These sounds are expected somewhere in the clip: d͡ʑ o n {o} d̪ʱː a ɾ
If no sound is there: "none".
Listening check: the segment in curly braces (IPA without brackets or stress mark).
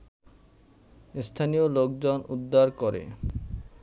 u